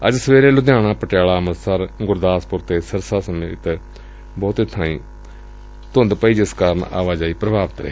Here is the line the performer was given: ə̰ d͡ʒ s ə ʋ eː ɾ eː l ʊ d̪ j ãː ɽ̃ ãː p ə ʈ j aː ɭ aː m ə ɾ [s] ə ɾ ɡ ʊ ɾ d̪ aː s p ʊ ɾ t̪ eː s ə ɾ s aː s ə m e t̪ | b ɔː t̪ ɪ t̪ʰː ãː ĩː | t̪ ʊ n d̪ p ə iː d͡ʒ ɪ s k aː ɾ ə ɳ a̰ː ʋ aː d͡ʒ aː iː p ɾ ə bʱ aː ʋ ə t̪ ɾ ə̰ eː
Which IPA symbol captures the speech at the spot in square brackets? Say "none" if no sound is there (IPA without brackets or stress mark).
s